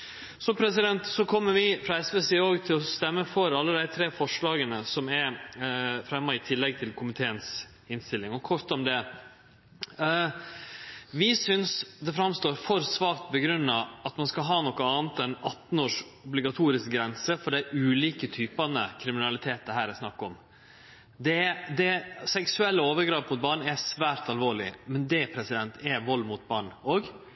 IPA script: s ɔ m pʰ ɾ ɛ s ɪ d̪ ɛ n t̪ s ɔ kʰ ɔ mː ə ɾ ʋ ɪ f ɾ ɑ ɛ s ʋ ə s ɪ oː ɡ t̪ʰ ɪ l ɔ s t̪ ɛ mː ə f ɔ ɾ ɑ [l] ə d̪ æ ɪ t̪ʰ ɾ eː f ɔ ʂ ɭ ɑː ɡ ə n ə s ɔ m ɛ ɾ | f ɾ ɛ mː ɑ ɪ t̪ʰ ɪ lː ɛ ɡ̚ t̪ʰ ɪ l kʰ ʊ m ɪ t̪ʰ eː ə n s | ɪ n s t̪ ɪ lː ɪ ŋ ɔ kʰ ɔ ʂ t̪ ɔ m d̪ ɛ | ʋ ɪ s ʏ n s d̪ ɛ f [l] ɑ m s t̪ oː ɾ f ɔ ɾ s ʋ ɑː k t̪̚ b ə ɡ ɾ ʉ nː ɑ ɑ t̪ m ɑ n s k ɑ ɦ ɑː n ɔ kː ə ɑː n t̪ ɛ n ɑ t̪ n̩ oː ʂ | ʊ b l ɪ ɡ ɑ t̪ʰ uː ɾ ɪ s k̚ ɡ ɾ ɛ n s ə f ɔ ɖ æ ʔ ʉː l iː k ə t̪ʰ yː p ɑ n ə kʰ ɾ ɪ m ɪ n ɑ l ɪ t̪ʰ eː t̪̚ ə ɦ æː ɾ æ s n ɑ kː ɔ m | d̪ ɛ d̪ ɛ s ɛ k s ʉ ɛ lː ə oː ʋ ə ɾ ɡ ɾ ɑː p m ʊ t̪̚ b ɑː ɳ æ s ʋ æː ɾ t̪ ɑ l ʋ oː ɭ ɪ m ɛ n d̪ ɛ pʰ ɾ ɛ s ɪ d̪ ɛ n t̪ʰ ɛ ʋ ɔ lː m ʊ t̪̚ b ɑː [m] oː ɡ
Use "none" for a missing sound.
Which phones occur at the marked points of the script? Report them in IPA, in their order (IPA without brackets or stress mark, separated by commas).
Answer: lː, ɾ, ɳ